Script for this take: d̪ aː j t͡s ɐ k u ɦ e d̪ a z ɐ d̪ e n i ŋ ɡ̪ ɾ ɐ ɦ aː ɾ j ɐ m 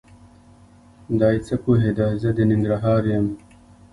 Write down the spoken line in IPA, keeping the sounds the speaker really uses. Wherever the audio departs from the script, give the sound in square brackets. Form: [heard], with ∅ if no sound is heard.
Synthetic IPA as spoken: d̪ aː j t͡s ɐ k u ɦ e d̪ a z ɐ d̪ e n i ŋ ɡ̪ ɾ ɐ ɦ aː ɾ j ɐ m